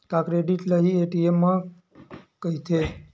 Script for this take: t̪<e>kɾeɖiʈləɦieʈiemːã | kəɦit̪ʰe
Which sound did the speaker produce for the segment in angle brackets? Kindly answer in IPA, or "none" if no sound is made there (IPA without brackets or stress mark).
a